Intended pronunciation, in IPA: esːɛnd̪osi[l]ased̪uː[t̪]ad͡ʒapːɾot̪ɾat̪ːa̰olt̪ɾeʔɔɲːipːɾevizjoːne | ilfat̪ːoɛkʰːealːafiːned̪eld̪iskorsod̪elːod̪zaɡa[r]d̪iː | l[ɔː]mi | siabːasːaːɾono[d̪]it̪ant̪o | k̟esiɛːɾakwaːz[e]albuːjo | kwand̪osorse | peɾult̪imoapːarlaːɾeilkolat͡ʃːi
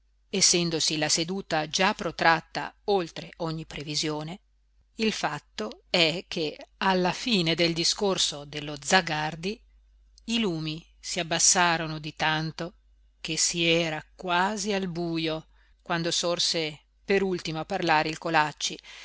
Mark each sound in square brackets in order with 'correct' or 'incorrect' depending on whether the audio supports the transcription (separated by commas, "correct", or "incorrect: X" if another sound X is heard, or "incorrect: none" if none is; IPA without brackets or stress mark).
correct, correct, correct, incorrect: uː, correct, incorrect: i